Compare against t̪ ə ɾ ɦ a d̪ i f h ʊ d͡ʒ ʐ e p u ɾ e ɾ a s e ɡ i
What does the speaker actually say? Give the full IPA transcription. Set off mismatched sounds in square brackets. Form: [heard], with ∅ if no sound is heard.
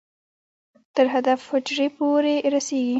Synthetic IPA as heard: t̪ ə ɾ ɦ a d̪ [a] f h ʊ d͡ʒ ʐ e p [o] ɾ e ɾ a s e ɡ i